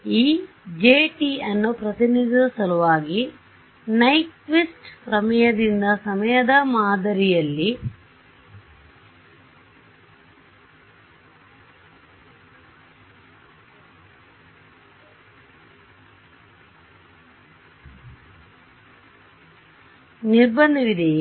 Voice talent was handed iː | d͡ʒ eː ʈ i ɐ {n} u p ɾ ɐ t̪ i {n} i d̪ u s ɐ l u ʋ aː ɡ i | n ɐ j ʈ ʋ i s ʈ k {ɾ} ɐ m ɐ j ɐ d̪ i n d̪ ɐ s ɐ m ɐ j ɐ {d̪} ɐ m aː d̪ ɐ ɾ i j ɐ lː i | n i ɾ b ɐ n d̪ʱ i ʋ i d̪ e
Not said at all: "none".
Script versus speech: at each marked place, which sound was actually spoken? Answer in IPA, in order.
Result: nː, n, ɾ, d̪

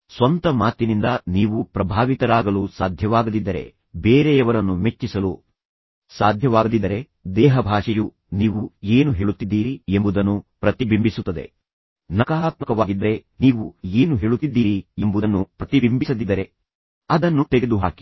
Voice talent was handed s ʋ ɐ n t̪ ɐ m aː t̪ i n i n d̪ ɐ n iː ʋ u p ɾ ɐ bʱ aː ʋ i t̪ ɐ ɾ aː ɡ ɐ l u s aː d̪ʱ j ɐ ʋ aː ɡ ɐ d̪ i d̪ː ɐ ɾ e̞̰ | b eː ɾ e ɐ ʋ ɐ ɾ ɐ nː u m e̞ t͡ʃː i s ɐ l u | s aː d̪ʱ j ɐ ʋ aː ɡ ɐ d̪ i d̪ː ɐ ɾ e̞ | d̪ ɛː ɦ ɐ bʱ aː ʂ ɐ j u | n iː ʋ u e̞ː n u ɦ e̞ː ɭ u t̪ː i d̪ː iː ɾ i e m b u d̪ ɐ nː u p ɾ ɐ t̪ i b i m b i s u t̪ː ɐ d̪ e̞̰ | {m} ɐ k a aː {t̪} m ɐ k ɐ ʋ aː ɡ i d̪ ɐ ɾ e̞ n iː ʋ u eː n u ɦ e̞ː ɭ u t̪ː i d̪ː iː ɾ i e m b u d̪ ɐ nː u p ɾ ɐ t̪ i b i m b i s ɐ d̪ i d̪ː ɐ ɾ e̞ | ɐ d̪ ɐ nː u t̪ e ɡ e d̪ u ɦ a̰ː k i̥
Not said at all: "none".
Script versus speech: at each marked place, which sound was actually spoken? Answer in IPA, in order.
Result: n, t̪

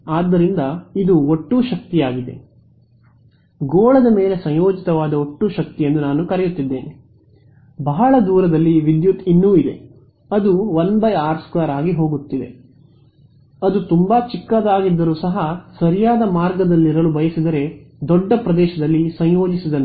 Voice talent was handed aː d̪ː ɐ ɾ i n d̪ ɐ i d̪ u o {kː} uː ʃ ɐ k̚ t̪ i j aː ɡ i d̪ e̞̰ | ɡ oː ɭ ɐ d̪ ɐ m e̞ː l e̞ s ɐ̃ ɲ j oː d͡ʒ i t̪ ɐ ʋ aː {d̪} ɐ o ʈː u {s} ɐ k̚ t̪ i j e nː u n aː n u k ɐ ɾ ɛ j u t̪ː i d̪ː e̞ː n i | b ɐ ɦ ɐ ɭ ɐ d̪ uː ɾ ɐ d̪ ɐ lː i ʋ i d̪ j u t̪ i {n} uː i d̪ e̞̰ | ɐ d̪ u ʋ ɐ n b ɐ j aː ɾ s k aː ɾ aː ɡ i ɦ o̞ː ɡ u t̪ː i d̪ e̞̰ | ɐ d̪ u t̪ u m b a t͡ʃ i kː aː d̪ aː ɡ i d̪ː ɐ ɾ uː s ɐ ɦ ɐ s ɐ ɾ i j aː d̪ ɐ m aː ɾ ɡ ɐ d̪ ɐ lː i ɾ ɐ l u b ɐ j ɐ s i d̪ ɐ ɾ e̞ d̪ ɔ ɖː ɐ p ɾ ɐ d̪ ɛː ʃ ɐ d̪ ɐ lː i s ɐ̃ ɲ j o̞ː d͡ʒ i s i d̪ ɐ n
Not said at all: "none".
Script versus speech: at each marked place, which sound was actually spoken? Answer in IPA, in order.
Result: ʈː, d̪, ʃ, nː

